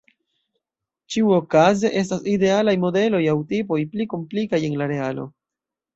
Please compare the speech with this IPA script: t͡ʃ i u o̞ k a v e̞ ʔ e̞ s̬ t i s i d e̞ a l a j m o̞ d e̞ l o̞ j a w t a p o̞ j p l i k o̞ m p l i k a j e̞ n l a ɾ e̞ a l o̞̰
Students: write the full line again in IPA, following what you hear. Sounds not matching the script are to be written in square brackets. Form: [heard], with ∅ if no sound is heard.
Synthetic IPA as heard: t͡ʃ i u o̞ k a [z] e̞ ʔ e̞ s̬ t [a] s i d e̞ a l a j m o̞ d e̞ l o̞ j a w t [i] p o̞ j p l i k o̞ m p l i k a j e̞ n l a ɾ e̞ a l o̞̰